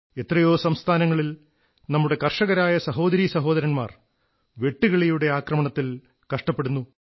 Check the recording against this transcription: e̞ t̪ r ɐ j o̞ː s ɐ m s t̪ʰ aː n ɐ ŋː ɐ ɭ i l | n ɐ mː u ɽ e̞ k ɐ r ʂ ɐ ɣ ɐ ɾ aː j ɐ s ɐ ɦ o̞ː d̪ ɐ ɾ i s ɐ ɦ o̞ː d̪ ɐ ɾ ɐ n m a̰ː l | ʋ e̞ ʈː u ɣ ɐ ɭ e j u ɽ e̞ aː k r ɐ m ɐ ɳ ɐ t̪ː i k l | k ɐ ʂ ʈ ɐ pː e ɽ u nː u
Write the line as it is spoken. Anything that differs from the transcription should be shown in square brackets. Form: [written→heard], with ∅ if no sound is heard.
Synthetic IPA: e̞ t̪ r ɐ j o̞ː s ɐ m s t̪ʰ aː n ɐ ŋː ɐ ɭ i l | n ɐ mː u ɽ e̞ k ɐ r ʂ ɐ ɣ ɐ ɾ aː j ɐ s ɐ ɦ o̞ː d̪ ɐ ɾ i s ɐ ɦ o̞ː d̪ ɐ ɾ ɐ n m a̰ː [l→r] | ʋ e̞ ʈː u ɣ ɐ ɭ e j u ɽ e̞ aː k r ɐ m ɐ ɳ ɐ t̪ː i [k→∅] l | k ɐ ʂ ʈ ɐ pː e ɽ u nː u